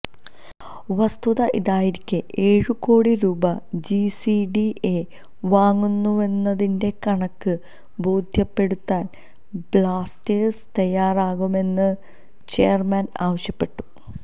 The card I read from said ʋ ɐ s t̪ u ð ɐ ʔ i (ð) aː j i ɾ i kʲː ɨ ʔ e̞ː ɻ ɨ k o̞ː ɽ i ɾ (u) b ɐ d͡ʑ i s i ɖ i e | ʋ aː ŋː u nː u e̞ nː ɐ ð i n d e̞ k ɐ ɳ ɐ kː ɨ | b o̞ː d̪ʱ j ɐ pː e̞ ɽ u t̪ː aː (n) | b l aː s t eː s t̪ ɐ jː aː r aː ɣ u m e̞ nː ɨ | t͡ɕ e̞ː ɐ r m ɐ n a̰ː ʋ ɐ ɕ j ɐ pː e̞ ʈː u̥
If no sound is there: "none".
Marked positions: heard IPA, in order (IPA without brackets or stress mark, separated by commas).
ð, uː, n